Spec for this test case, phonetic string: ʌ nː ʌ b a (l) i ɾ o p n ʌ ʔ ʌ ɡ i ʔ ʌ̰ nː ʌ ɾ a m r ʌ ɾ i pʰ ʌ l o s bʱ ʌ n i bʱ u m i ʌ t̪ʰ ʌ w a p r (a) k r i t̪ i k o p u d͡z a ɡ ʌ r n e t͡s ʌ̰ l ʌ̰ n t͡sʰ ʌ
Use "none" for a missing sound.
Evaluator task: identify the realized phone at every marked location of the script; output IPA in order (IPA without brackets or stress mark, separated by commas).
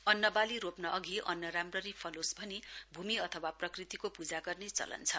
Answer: l, ʌ